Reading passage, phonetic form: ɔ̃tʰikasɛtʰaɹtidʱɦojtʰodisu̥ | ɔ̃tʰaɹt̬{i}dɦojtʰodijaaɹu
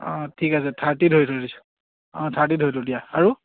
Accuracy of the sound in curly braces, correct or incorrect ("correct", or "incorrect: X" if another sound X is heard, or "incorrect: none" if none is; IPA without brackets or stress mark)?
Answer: correct